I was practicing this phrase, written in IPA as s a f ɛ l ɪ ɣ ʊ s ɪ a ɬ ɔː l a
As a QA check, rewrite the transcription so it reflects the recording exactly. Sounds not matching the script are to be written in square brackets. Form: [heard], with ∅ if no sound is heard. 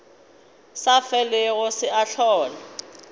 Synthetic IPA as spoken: s a f ɛ l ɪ ɣ ʊ s ɪ a ɬ ɔː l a